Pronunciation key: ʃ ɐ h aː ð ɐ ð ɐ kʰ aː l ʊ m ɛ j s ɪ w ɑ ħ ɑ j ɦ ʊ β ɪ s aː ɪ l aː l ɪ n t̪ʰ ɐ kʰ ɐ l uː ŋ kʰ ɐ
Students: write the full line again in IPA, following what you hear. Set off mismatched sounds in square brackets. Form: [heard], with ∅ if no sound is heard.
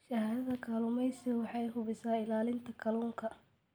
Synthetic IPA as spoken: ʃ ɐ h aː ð ɐ ð ɐ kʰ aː l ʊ m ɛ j s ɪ w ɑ ħ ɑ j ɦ ʊ β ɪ s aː ɪ l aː l ɪ n t̪ʰ ɐ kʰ ɐ l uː ŋ kʰ ɐ